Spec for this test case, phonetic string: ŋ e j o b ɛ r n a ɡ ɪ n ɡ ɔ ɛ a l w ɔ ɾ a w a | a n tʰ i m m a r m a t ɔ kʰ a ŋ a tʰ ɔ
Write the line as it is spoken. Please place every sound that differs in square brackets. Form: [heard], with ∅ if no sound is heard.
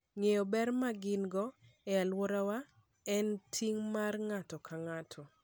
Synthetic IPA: ŋ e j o b ɛ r [m] a ɡ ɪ n ɡ ɔ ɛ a l w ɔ ɾ a w a | [ɛ] n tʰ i [ŋ] m a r [ŋ] a t ɔ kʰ a ŋ a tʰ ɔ